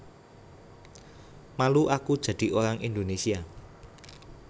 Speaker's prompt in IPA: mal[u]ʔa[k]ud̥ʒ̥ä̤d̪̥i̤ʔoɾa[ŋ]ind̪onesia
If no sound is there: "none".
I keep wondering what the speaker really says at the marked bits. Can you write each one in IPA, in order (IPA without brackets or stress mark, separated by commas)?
u, k, ŋ